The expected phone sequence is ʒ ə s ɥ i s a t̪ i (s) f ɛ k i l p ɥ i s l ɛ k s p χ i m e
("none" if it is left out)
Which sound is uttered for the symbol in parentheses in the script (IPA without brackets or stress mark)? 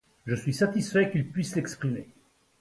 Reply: s